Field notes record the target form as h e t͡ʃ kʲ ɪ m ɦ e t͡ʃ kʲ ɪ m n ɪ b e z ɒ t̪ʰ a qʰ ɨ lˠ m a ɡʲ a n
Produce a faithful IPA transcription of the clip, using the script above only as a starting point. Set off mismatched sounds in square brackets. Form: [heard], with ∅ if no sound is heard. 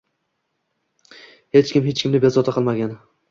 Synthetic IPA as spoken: h e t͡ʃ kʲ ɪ m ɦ e t͡ʃ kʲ ɪ m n ɪ b e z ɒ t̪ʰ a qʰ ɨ lˠ m a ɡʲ a n